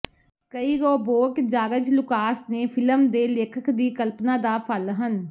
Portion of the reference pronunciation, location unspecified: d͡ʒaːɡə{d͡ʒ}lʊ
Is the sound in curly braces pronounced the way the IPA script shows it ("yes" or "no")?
yes